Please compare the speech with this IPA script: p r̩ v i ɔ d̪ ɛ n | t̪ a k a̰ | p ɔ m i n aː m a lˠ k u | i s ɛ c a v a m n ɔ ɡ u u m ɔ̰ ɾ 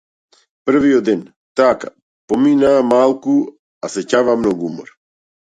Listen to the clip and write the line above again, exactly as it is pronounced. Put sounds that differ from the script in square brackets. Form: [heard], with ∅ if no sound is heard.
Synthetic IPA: p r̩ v i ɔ d̪ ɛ n | t̪ a k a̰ | p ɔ m i n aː m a lˠ k u | [a] s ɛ c a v a m n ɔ ɡ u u m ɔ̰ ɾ